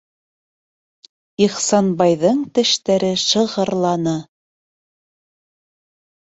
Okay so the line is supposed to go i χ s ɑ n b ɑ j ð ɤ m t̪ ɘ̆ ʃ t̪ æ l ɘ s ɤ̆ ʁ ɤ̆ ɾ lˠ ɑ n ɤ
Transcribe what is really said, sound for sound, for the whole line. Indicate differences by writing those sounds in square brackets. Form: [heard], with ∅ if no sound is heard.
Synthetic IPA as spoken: i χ s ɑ n b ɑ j ð ɤ [ɴ] t̪ ɘ̆ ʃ t̪ æ [ɾ] ɘ [ʃ] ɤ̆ ʁ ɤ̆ ɾ lˠ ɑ n ɤ